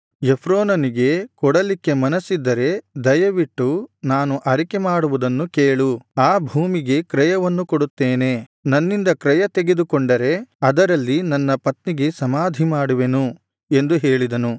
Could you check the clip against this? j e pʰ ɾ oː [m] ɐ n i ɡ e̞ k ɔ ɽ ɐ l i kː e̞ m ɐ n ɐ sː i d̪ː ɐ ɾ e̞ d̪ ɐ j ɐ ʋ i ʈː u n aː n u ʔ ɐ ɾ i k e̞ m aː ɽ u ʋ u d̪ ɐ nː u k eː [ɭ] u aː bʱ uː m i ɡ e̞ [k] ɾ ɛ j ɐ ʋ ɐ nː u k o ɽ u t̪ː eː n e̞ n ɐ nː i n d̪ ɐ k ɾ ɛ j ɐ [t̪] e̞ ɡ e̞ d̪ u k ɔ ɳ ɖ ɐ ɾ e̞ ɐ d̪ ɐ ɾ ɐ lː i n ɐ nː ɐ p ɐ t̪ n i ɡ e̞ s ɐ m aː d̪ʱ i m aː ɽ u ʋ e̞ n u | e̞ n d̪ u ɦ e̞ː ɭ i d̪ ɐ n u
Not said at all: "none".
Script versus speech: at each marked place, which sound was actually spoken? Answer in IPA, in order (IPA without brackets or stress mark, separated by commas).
n, ɭ, k, t̪